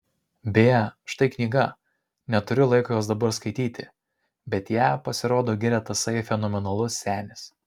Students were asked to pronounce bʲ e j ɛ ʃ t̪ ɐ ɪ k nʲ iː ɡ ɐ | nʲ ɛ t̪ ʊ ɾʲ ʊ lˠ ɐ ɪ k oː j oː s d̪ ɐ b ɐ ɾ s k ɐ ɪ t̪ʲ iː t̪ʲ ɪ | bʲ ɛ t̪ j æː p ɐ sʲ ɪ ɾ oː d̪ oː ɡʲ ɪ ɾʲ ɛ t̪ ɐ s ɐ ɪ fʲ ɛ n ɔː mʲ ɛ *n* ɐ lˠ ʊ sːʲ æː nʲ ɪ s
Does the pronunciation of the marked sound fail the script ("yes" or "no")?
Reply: no